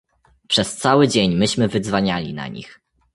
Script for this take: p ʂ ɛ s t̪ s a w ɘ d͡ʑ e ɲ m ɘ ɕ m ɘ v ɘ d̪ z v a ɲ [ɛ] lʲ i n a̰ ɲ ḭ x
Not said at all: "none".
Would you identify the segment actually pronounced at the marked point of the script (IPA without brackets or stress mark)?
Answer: a